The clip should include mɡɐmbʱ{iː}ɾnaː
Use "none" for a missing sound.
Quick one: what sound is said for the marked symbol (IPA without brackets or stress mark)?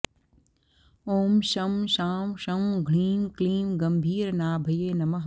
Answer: iː